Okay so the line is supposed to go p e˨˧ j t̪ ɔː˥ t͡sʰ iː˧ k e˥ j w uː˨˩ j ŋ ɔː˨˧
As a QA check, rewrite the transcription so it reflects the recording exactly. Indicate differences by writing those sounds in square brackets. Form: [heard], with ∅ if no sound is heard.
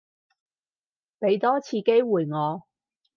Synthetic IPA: p e˨˧ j t̪ ɔː˥ t͡sʰ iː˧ k e˥ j w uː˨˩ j ŋ ɔː˨˧

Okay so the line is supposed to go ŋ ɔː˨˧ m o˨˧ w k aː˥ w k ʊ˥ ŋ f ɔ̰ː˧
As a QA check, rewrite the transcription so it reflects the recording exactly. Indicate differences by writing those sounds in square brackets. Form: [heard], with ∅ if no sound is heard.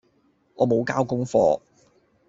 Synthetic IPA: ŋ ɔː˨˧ m o˨˧ w k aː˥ w k ʊ˥ ŋ f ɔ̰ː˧

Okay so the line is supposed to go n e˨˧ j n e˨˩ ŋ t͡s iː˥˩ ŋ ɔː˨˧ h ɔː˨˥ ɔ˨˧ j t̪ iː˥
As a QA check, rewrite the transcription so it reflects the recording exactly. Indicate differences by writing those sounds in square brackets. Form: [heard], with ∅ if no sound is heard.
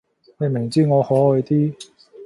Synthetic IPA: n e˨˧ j [m] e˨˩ ŋ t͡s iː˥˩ ŋ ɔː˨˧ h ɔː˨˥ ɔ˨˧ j t̪ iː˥

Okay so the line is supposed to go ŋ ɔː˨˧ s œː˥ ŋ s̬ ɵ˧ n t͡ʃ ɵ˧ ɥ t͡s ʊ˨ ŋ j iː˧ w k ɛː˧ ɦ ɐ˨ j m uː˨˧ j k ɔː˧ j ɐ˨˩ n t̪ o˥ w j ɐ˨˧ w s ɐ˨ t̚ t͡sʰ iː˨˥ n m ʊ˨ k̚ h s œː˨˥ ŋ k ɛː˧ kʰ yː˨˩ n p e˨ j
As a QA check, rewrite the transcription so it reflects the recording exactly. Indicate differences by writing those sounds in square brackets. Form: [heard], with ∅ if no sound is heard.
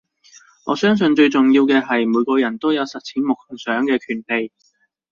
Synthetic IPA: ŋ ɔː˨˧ s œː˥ ŋ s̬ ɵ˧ n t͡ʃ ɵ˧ ɥ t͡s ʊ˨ ŋ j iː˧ w k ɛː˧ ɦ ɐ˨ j m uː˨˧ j k ɔː˧ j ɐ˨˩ n t̪ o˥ w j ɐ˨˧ w s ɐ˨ t̚ t͡sʰ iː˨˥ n m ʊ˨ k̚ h s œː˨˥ ŋ k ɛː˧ kʰ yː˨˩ n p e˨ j

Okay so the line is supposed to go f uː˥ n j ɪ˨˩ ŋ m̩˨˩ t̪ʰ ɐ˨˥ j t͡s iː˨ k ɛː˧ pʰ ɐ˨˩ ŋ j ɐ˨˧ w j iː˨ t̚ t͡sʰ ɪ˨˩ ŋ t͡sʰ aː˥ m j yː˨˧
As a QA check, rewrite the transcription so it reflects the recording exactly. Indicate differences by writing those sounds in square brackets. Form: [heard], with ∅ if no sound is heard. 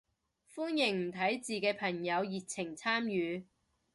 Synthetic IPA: f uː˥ n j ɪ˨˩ ŋ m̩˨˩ t̪ʰ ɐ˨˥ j t͡s iː˨ k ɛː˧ pʰ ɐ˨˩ ŋ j ɐ˨˧ w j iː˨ t̚ t͡sʰ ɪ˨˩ ŋ t͡sʰ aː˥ m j yː˨˧

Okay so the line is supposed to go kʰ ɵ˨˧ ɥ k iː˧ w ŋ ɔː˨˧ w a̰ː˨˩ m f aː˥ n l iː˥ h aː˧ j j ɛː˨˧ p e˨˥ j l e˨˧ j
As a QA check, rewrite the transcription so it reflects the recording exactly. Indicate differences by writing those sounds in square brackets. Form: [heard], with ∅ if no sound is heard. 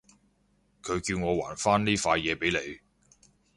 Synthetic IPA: kʰ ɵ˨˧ ɥ k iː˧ w ŋ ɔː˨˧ w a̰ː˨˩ [n] f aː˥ n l iː˥ [f] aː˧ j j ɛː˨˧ p e˨˥ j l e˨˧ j

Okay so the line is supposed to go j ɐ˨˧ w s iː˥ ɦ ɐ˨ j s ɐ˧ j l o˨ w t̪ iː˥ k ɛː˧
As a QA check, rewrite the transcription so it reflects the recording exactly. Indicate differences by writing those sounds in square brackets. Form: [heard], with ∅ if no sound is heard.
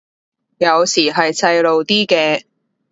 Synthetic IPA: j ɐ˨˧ w s [iː˨˩] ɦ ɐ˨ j [t͡s] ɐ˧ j l o˨ w t̪ iː˥ k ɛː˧

